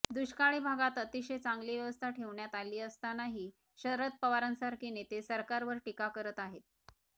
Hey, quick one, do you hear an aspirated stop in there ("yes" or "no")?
yes